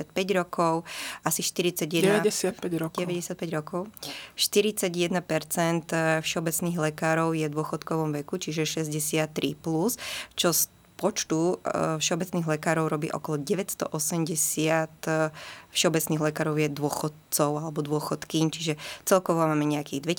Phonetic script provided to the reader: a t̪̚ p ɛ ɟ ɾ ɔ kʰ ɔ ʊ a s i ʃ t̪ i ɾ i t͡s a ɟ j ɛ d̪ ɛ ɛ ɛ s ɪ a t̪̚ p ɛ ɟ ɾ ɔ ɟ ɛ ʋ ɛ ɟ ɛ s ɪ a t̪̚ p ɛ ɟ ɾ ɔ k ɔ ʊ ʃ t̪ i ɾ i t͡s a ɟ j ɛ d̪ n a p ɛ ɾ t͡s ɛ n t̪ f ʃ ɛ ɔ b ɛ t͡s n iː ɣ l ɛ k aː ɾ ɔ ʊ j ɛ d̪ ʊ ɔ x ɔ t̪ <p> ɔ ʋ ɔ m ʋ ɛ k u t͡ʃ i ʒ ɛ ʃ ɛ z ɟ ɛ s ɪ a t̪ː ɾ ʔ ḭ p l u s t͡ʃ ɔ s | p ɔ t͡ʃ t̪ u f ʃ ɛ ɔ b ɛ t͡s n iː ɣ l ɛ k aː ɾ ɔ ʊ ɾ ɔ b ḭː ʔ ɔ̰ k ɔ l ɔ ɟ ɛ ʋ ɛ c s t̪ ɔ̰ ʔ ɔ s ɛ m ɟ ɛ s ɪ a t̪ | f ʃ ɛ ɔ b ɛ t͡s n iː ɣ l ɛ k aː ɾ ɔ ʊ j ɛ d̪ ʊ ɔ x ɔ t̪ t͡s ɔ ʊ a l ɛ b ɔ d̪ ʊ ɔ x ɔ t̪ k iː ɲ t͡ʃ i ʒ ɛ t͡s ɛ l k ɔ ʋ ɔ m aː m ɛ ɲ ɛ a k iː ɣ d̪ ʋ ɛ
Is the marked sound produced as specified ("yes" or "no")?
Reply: no